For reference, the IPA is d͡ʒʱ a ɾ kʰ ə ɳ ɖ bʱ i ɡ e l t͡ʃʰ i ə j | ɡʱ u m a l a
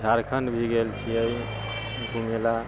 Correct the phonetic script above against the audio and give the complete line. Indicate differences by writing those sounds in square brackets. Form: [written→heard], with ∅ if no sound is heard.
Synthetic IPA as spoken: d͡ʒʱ a ɾ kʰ ə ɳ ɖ bʱ i ɡ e l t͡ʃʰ i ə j | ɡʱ u m [a→e] l a